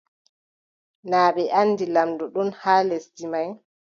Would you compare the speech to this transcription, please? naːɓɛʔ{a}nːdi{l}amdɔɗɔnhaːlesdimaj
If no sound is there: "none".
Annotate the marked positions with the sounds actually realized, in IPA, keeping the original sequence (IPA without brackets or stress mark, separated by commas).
a, l